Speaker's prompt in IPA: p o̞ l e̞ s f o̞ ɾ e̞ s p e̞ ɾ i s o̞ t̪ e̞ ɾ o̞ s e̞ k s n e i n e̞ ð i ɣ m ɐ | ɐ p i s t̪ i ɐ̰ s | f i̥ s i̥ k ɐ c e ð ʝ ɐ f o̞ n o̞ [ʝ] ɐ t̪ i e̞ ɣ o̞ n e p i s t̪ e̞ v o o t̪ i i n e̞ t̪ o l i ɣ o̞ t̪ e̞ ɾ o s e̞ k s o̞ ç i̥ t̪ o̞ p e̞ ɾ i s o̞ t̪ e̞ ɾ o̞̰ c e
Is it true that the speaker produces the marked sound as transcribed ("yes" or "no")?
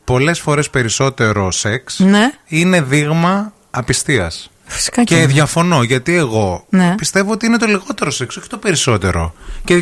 yes